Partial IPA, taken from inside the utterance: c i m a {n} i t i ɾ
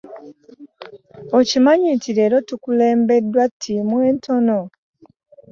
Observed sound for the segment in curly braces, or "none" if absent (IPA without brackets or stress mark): ɲ